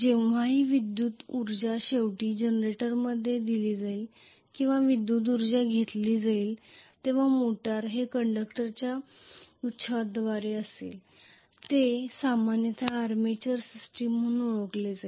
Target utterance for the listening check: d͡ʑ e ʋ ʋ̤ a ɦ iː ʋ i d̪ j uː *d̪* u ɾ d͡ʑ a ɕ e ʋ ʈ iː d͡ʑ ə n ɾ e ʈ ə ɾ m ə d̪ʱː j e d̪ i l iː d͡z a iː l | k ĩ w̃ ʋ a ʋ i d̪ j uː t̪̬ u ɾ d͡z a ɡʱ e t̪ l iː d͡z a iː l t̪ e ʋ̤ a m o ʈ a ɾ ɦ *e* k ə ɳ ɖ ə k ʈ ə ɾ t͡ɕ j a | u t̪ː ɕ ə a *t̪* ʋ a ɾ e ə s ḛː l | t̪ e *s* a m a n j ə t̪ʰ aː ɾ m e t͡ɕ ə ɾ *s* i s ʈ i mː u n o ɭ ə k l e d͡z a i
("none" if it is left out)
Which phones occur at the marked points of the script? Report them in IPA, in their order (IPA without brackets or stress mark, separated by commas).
t̪, e, d̪, s, s